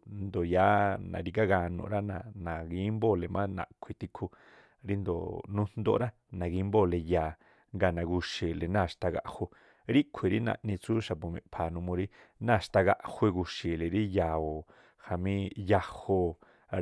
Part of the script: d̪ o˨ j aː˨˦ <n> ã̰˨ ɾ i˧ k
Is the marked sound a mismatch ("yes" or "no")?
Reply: no